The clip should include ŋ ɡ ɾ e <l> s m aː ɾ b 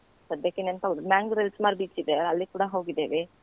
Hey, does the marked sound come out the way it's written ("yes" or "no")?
yes